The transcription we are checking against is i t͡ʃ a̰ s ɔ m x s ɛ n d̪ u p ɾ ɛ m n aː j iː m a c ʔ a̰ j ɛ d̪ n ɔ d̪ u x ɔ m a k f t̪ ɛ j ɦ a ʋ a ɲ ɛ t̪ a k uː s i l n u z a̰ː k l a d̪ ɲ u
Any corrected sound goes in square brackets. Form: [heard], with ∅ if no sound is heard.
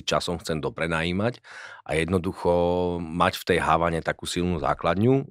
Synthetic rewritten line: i t͡ʃ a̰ s ɔ m x [t͡s] ɛ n d̪ [ɔ] p ɾ ɛ [∅] n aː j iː m a c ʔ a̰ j ɛ d̪ n ɔ d̪ u x ɔ m a [c] f t̪ ɛ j ɦ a ʋ a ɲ ɛ t̪ a k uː s i l n u z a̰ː k l a d̪ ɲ u